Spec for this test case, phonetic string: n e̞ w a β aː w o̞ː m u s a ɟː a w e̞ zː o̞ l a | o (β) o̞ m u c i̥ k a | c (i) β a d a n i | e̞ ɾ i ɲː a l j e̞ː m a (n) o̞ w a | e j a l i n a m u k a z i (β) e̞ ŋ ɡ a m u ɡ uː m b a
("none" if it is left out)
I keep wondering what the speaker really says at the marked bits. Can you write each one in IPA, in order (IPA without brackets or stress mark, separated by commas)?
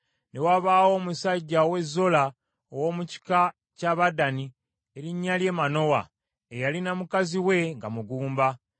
w, a, n, w